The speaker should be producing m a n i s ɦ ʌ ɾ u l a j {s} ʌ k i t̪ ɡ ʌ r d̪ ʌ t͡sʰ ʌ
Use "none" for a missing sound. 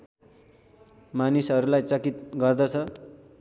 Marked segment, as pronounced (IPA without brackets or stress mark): t͡s